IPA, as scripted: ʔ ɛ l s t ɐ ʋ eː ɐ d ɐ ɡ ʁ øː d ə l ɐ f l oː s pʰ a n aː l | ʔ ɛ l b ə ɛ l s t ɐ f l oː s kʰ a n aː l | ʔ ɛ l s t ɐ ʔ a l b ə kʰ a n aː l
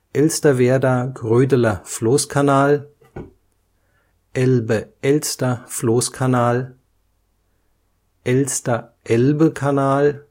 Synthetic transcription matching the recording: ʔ ɛ l s t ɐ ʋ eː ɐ d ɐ ɡ ʁ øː d ə l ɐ f l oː s kʰ a n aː l | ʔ ɛ l b ə ɛ l s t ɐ f l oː s kʰ a n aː l | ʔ ɛ l s t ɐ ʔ ɛ l b ə kʰ a n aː l

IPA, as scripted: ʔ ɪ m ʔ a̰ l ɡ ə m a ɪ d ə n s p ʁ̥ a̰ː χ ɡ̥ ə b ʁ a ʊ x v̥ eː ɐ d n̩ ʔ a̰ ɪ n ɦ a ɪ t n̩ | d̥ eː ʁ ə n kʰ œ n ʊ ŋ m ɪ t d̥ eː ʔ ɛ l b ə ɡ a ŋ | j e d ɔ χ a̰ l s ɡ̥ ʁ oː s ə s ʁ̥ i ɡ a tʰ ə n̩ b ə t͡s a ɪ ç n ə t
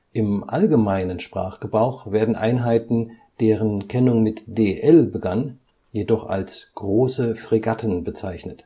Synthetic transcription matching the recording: ʔ ɪ m ʔ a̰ l ɡ ə m a ɪ n ə n ʃ p ʁ̥ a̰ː χ ɡ̥ ə b ʁ a ʊ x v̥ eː ɐ d n̩ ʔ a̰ ɪ n ɦ a ɪ t n̩ | d̥ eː ʁ ə n kʰ ɛ n ʊ ŋ m ɪ t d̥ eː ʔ ɛ l b ə ɡ a n | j e d ɔ χ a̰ l s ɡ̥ ʁ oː s ə f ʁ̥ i ɡ a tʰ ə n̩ b ə t͡s a ɪ ç n ə t

